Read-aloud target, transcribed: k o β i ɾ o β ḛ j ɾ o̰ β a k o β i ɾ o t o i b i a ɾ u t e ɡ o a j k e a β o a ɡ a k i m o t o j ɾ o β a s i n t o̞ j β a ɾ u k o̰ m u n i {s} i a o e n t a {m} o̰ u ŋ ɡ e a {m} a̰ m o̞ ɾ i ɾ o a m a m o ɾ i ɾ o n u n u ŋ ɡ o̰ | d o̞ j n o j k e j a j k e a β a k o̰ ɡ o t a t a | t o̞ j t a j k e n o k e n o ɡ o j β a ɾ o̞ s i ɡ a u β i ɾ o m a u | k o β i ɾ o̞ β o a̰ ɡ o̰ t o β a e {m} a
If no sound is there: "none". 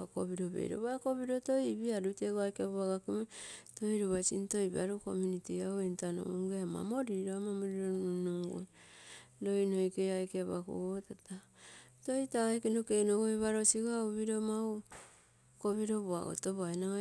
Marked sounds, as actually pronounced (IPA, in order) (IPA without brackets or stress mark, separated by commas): t, n, m, n